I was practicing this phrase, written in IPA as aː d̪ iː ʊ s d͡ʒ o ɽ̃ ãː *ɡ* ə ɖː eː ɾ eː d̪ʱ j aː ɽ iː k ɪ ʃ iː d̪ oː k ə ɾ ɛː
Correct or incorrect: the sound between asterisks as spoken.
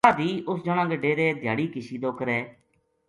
correct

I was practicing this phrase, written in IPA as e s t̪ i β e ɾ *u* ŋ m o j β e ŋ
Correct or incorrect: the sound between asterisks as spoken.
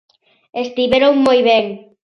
incorrect: o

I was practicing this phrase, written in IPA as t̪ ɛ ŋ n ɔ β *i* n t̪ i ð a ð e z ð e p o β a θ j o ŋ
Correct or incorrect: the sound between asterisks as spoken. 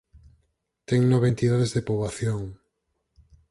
incorrect: e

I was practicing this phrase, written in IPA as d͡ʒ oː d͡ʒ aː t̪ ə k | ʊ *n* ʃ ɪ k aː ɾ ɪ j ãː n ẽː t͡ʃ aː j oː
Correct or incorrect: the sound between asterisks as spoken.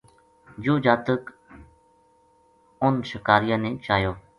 correct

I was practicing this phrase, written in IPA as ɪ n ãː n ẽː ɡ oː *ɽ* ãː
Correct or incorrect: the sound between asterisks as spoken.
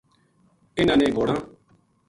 correct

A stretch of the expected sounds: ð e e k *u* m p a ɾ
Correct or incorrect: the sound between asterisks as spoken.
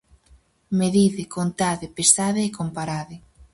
incorrect: o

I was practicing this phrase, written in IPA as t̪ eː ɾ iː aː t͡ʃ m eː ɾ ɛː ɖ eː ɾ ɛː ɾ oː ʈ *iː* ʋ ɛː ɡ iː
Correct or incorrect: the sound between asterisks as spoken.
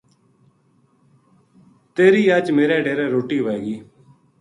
correct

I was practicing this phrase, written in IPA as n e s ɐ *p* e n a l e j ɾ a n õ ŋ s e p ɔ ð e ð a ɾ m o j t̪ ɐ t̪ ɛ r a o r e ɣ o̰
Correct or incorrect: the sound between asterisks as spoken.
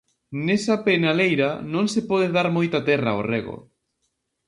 correct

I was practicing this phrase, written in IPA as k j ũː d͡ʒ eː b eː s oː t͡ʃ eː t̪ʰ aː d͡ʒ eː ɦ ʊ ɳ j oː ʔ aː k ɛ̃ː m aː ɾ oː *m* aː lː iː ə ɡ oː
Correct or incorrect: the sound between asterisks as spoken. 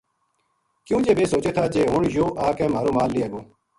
correct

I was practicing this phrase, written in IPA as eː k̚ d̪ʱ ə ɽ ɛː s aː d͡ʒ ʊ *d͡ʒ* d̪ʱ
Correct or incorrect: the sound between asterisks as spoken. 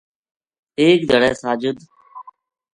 incorrect: none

